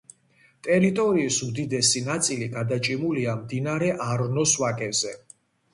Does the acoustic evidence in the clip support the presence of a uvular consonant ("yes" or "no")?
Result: no